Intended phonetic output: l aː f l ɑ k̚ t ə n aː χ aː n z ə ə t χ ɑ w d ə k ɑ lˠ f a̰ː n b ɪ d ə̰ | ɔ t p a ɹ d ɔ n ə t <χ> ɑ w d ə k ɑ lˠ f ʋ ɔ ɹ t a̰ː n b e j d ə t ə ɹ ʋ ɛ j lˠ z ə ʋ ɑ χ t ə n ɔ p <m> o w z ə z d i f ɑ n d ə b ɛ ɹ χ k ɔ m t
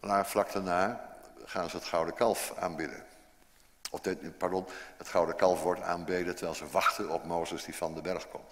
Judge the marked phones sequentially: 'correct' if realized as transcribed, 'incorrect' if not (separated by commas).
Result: correct, correct